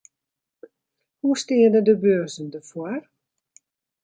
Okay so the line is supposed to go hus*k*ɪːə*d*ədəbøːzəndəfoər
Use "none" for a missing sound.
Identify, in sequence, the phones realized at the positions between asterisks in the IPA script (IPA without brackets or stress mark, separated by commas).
t, d